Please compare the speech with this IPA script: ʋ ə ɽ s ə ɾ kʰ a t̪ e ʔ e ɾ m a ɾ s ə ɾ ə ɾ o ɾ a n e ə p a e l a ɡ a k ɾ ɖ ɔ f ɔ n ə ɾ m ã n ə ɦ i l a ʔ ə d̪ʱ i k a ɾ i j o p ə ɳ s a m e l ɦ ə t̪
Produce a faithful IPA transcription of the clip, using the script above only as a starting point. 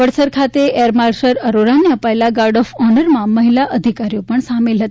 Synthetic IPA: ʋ ə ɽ s ə ɾ kʰ a t̪ e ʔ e ɾ m a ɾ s ə ɾ ə ɾ o ɾ a n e ə p a e l a ɡ a ɾ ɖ ɔ f ɔ n ə ɾ m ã m ə ɦ i l a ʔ ə d̪ʱ i k a ɾ i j o p ə ɳ s a m e l ɦ ə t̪